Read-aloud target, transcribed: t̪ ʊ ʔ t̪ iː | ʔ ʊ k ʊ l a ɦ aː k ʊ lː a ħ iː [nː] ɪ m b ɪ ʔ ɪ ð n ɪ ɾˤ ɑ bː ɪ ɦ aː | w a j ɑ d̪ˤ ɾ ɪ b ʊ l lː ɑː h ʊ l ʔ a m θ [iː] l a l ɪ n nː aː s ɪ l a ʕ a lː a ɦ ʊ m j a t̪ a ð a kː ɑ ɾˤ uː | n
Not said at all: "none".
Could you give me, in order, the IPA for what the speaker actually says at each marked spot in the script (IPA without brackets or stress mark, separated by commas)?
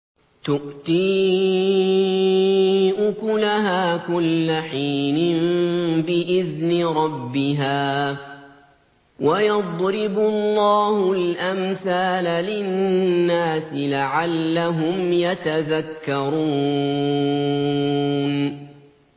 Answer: n, aː